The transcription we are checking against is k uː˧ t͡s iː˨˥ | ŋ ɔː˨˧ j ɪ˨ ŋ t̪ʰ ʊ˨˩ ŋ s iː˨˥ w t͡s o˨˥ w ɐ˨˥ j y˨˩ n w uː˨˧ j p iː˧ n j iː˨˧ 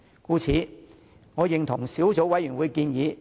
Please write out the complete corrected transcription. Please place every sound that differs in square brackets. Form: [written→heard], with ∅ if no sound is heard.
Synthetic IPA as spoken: k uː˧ [t͡s→t͡sʰ] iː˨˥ | ŋ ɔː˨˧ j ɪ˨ ŋ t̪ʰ ʊ˨˩ ŋ s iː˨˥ w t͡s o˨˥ w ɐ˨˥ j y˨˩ n w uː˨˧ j [p→k] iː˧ n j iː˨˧